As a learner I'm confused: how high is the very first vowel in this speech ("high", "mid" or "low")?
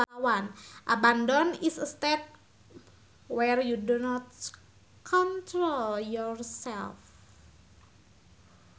low